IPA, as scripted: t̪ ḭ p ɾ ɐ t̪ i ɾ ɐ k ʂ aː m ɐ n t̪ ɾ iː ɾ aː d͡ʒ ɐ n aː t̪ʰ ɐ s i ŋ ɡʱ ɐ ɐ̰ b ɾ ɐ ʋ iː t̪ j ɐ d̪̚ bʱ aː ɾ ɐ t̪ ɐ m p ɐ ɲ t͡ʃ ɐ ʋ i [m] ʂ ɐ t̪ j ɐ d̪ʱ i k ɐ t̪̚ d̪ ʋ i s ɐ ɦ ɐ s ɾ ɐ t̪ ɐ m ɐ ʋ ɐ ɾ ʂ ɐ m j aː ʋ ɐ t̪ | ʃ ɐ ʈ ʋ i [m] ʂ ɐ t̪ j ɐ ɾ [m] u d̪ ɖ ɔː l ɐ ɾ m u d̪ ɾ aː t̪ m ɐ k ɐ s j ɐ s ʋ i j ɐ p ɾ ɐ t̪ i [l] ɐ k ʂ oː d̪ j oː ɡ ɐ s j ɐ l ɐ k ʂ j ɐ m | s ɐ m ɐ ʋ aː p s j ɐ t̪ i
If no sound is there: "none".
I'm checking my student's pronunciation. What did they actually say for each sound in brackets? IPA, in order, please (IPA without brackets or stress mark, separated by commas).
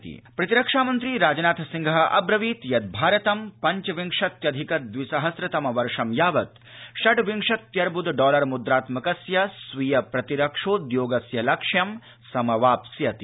ŋ, ŋ, b, ɾ